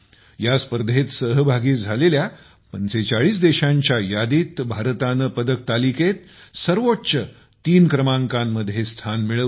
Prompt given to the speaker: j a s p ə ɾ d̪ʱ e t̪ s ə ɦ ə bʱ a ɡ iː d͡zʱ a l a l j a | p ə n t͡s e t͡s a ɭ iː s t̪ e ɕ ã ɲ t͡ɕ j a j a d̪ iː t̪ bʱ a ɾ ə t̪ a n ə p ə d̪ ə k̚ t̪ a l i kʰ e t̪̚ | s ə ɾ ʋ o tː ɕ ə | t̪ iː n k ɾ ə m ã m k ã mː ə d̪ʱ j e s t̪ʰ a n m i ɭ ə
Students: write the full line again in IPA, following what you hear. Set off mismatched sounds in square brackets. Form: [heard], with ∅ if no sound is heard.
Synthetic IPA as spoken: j a s p ə ɾ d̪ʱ e t̪ s ə ɦ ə bʱ a ɡ iː d͡zʱ a l [e] l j a | p ə n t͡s e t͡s a ɭ iː s [d̪] e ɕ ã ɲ t͡ɕ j a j a d̪ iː t̪ bʱ a ɾ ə t̪ a n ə p ə d̪ ə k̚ t̪ a l i [k] e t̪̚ | s ə ɾ ʋ o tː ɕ ə | t̪ iː n k ɾ ə m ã [ŋ] k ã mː ə d̪ʱ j e s t̪ʰ a n m i ɭ ə